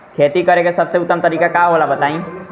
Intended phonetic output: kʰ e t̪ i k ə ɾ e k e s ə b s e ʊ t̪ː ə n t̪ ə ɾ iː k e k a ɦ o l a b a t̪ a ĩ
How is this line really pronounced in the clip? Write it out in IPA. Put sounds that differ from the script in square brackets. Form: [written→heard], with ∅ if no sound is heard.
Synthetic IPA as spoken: kʰ e t̪ i k ə ɾ e k e s ə b s e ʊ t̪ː ə [n→m] t̪ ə ɾ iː k [e→a] k a ɦ o l a b [a→ə] t̪ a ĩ

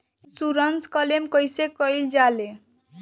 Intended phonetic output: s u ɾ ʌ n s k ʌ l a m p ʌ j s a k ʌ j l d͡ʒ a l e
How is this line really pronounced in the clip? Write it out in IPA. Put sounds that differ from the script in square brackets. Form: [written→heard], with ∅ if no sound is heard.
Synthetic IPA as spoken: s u ɾ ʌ n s k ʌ l [a→e] m [p→k] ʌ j s [a→e] k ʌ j l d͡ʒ a l e

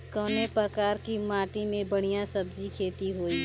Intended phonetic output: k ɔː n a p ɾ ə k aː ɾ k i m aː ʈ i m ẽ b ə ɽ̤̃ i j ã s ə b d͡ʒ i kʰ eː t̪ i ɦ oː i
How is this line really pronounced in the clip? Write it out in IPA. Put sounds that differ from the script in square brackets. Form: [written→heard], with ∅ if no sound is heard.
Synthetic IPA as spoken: k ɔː n [a→e] p ɾ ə k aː ɾ k i m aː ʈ i m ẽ b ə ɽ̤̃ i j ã s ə b d͡ʒ i kʰ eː t̪ i ɦ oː i

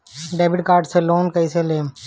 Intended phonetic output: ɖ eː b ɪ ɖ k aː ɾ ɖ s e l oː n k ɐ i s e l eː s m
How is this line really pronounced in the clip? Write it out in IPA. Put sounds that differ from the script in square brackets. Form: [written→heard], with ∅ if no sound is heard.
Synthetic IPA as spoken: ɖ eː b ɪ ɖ k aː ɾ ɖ s e l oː n k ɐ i s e l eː [s→∅] m

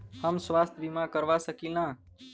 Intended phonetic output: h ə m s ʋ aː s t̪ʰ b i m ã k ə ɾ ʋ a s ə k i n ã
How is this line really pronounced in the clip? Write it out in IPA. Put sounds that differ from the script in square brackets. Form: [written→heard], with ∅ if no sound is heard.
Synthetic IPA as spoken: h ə m s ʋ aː s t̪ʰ b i m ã k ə ɾ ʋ a s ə k i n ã

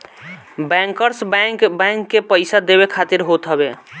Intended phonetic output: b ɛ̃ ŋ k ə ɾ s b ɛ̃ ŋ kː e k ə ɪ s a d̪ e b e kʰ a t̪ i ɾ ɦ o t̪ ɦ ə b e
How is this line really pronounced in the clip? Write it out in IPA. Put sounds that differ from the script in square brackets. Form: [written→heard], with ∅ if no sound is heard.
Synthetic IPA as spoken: b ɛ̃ ŋ k ə ɾ s b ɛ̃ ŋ kː e [k→p] ə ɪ s a d̪ e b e kʰ a t̪ i ɾ ɦ o t̪ ɦ ə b e

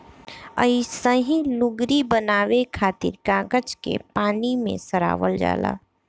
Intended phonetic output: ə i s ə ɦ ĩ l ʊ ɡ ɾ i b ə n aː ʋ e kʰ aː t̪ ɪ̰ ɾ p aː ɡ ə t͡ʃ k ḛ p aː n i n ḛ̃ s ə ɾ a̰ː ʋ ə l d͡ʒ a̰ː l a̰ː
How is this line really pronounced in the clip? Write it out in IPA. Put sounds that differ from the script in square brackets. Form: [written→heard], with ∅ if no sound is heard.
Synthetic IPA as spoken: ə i s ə ɦ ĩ l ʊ ɡ ɾ i b ə n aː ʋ e kʰ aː t̪ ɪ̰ ɾ [p→k] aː ɡ ə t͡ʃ k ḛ p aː n i [n→m] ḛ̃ s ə ɾ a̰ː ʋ ə l d͡ʒ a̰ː l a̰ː

